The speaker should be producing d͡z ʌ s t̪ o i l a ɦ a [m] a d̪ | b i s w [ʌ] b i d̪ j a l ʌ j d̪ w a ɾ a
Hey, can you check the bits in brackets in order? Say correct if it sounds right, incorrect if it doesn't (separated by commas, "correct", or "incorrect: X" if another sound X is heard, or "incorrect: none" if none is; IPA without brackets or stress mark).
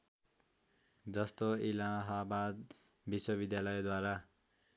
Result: incorrect: b, correct